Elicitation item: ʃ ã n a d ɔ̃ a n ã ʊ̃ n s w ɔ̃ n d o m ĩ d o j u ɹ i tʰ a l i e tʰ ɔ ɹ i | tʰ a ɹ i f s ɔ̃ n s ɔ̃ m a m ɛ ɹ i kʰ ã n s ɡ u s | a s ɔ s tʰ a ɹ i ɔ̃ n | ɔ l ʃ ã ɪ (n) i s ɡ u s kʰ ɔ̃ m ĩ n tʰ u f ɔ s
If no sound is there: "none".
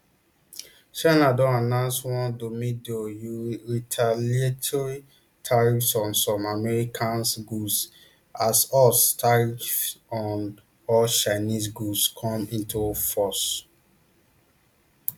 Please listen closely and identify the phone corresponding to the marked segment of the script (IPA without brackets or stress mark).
n